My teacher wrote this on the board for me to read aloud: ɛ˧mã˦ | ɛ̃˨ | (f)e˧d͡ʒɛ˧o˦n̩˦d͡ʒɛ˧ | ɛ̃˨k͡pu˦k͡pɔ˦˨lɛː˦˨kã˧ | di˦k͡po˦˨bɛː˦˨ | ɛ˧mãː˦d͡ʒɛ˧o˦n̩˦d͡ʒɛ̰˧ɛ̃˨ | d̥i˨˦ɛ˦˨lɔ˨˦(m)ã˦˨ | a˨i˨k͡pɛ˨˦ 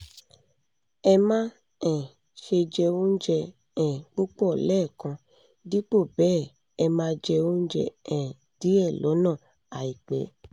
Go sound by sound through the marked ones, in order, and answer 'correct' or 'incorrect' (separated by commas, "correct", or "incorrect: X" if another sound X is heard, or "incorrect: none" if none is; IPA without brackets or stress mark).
incorrect: ʃ, incorrect: n